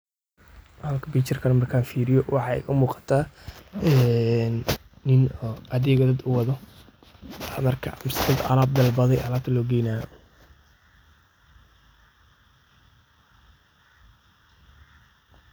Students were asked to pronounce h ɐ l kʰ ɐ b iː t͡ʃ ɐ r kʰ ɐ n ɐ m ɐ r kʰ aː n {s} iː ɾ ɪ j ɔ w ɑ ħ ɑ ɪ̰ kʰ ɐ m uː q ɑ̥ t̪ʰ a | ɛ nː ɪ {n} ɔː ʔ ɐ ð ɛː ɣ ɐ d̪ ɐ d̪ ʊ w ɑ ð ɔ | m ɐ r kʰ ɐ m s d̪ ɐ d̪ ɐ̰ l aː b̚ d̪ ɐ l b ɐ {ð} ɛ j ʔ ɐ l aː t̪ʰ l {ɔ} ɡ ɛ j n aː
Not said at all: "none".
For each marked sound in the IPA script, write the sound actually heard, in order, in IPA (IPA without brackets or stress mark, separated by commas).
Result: f, n, ð, ɔː